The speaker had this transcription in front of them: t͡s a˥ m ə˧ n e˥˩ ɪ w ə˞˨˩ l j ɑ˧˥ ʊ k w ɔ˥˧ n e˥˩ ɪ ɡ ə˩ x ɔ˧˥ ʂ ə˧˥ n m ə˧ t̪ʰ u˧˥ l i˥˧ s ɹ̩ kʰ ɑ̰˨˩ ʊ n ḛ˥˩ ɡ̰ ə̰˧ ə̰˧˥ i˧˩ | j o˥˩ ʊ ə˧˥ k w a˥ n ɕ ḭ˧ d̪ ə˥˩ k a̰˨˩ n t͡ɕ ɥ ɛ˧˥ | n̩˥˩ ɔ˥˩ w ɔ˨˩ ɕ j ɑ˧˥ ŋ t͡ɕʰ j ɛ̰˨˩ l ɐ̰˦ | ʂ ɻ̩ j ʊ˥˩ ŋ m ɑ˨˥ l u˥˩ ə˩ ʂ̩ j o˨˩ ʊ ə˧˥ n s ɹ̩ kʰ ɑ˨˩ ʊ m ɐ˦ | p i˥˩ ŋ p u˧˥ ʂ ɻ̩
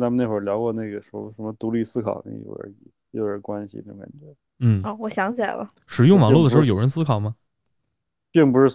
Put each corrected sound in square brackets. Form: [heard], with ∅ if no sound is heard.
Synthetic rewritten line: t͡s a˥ m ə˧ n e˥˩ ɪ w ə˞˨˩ l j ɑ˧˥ ʊ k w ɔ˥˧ n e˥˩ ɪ ɡ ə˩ [ʂ] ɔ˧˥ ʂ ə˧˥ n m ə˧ [t̪] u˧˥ l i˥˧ s ɹ̩ kʰ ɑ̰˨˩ ʊ n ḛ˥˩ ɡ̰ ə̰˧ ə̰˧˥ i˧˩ | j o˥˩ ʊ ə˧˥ k w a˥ n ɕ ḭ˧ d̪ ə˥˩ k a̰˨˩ n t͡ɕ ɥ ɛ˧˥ | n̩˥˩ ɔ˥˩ w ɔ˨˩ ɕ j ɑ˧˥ ŋ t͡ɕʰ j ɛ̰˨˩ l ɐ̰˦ | ʂ ɻ̩ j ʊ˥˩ ŋ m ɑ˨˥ l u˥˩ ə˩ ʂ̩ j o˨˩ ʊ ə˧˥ n s ɹ̩ kʰ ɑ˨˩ ʊ m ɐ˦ | p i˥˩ ŋ p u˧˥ ʂ ɻ̩